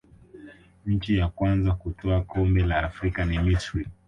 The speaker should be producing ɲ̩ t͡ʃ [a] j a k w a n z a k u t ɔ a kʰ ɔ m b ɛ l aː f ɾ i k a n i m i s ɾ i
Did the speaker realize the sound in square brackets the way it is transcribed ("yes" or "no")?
no